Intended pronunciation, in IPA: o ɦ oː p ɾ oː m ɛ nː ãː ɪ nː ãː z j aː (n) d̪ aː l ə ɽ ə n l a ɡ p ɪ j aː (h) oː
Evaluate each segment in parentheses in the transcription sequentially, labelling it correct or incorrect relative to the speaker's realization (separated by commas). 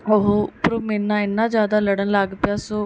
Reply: incorrect, incorrect